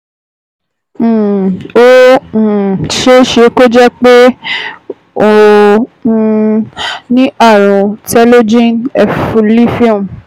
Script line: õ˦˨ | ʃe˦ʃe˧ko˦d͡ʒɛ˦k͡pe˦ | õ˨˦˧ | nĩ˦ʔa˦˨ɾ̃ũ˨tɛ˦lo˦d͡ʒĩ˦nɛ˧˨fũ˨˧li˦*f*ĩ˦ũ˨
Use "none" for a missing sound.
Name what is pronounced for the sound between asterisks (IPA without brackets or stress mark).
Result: f